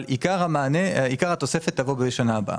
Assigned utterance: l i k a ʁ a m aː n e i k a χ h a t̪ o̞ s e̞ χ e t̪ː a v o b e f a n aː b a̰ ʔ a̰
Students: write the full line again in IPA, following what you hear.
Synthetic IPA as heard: l i k a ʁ a m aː n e i k a ʁ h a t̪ o̞ s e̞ f e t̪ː a v o b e ʃ a n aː b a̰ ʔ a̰